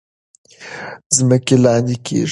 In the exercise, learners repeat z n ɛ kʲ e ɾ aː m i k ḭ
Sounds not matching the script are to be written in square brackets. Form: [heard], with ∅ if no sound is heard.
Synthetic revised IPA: z [m] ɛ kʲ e [l] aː [n] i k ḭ